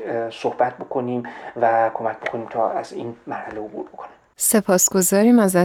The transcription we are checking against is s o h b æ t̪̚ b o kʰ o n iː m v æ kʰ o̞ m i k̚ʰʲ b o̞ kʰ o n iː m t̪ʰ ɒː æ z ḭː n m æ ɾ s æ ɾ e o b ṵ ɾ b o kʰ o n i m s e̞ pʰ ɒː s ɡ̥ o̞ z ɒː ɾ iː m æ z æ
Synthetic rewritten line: s o h b æ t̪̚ b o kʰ o n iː m v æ kʰ o̞ m æ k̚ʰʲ b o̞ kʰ o n iː m t̪ʰ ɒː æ z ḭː n m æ ɾ h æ l e o b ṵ ɾ b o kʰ o n i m s e̞ pʰ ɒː s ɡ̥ o̞ z ɒː ɾ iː m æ z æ